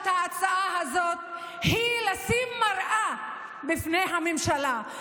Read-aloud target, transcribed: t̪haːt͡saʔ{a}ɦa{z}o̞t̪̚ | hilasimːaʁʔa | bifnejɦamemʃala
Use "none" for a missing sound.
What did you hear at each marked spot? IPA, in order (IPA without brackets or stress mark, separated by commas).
a, z